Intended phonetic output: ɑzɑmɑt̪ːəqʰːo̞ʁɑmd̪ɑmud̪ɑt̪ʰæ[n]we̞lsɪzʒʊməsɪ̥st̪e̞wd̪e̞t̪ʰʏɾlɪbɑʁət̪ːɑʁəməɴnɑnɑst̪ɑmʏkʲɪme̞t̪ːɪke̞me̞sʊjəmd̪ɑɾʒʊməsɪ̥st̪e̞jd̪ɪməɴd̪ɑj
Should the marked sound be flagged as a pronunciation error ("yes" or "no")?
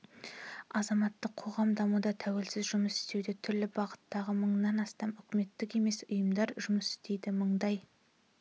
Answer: yes